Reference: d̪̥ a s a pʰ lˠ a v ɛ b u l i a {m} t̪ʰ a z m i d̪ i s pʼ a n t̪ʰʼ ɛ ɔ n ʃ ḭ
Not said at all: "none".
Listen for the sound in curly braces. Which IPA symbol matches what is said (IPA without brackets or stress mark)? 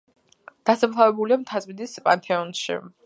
m